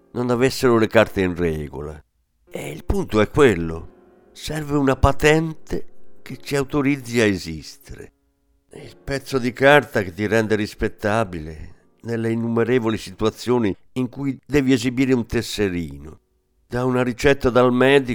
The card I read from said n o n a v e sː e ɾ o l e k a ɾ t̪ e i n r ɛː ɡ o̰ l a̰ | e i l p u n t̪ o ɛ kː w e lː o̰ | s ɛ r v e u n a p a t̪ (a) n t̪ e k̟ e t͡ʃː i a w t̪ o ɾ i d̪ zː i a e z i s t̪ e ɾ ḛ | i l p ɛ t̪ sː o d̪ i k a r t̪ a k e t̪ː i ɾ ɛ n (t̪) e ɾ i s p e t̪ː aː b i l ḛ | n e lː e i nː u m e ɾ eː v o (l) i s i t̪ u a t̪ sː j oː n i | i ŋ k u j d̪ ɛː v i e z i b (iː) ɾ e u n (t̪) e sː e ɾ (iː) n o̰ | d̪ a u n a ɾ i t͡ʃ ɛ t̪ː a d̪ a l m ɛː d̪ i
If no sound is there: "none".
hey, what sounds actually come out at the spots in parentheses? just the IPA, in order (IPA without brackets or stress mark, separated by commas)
ɛ, d̪, l, iː, t̪, iː